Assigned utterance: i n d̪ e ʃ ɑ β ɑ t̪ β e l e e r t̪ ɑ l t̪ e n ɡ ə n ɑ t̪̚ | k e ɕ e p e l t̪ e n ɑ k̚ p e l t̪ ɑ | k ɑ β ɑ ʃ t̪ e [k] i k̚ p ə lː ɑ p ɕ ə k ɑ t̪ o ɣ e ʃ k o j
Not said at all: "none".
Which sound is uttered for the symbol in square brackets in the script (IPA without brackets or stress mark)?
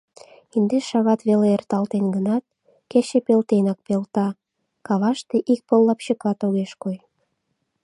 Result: ʔ